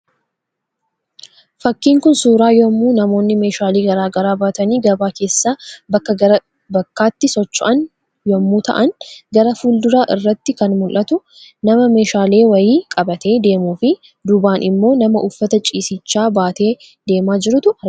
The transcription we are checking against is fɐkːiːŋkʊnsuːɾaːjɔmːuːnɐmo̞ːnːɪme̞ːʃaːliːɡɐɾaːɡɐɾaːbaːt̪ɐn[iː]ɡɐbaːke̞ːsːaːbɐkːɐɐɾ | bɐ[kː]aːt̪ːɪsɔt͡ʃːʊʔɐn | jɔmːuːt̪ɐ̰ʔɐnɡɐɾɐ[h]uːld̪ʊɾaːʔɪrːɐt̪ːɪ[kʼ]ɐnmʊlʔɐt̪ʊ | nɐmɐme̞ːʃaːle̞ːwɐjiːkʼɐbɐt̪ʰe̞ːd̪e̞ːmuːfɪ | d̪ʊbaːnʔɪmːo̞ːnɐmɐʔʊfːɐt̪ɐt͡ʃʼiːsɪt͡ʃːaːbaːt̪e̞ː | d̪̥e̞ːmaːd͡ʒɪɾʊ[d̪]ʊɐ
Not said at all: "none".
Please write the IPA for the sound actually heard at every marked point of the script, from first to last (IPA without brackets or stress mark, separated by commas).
iː, kː, f, k, t̪